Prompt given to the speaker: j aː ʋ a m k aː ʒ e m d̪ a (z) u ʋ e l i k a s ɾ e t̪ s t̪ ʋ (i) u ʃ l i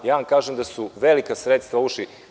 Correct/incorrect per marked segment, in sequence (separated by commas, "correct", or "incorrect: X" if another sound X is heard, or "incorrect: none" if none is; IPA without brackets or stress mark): incorrect: s, incorrect: a